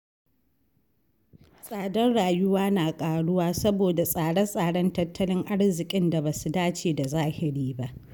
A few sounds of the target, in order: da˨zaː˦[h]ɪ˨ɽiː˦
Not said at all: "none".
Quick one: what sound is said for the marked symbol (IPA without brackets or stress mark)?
h